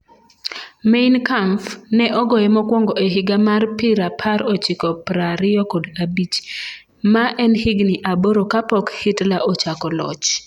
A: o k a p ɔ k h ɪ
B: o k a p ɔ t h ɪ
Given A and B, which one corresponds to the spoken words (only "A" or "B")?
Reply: A